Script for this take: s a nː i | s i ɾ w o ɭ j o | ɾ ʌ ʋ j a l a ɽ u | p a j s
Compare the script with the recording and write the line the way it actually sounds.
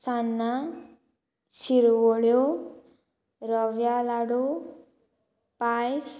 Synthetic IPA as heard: s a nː a | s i ɾ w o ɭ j o | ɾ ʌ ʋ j a l a ɽ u | p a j s